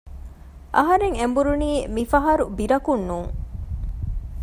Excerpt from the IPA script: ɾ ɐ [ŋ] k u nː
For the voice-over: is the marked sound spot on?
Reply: no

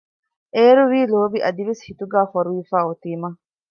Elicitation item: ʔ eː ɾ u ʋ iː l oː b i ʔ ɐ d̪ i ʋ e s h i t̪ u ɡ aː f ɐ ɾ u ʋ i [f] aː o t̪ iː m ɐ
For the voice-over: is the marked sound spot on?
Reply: yes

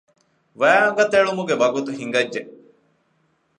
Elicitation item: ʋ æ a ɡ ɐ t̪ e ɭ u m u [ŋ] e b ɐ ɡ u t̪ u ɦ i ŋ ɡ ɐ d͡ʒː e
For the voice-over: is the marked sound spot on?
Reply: no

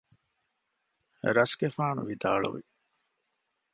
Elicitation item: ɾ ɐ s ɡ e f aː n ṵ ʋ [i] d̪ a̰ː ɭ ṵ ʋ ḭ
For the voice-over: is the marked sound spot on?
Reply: yes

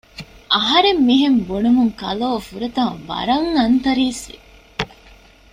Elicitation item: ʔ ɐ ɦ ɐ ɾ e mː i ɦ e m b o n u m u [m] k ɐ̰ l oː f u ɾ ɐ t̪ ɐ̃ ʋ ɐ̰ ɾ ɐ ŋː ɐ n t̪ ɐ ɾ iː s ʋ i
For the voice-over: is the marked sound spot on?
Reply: no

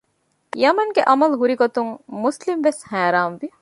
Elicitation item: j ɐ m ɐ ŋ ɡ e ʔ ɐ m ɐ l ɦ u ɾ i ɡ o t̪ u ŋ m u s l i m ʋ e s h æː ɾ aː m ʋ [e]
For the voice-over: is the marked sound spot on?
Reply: no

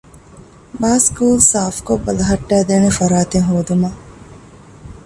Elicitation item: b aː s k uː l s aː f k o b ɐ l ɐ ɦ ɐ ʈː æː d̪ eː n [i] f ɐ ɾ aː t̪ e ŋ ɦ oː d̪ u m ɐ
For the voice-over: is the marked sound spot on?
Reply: no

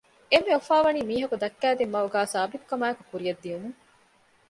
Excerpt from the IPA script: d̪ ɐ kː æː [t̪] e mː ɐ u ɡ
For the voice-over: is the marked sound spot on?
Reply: no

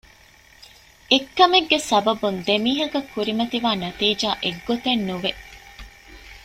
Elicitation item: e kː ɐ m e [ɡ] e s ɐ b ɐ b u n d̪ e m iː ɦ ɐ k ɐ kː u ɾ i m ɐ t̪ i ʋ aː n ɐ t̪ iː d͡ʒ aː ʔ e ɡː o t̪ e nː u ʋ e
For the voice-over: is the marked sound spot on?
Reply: no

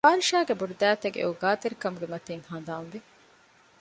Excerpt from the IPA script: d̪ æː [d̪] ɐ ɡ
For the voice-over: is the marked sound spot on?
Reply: no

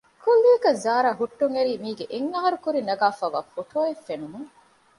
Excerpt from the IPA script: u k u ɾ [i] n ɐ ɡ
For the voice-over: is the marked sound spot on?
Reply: yes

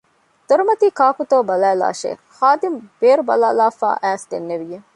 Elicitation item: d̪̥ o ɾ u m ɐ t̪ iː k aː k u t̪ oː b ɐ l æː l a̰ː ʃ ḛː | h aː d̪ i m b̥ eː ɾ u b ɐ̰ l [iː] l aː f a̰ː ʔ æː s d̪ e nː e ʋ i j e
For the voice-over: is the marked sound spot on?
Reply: no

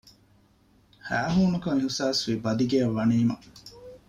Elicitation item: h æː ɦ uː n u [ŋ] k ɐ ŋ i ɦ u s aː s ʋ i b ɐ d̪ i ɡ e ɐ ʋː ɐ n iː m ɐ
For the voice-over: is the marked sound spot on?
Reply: no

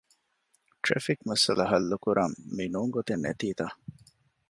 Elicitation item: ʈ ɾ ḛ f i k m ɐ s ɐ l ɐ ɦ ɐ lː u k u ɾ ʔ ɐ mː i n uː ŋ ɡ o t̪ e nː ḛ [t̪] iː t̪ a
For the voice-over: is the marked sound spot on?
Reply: yes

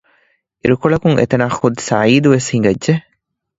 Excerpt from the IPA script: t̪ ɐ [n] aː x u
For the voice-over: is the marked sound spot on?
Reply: yes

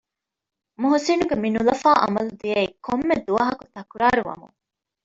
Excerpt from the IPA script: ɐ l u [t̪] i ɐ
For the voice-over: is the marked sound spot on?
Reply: no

